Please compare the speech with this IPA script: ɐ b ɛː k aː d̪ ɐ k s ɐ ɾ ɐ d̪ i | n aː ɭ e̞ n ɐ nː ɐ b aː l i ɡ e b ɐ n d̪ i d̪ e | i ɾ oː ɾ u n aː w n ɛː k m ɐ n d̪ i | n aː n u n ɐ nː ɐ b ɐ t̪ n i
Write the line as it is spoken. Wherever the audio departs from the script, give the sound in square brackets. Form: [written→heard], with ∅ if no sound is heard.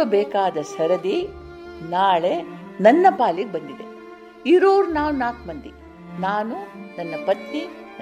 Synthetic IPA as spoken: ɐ b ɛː k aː d̪ ɐ [k→∅] s ɐ ɾ ɐ d̪ i | n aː ɭ e̞ n ɐ nː ɐ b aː l i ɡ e b ɐ n d̪ i d̪ e | i ɾ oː ɾ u n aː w n [ɛː→aː] k m ɐ n d̪ i | n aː n u n ɐ nː ɐ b ɐ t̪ n i